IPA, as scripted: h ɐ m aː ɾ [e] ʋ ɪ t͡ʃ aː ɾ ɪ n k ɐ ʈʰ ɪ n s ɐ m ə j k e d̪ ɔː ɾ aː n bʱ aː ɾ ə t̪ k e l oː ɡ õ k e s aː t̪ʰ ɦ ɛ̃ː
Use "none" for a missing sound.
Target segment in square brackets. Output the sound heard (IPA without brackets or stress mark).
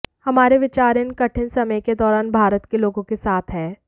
e